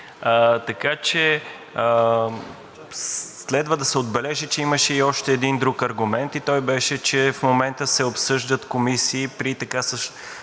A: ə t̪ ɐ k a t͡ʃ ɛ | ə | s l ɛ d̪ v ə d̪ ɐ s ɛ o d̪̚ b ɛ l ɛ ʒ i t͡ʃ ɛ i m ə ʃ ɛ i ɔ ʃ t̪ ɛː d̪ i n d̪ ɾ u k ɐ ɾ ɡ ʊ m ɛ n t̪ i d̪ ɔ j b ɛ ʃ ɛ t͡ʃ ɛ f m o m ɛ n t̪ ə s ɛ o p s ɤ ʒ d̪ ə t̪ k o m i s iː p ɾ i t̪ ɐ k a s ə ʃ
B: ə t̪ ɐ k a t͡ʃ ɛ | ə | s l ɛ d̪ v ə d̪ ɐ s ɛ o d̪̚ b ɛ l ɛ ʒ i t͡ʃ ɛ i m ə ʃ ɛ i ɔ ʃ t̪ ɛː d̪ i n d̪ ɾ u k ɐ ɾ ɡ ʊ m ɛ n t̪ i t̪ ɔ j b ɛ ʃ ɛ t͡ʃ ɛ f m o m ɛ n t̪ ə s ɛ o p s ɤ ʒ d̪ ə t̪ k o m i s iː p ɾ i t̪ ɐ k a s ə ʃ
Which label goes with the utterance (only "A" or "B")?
B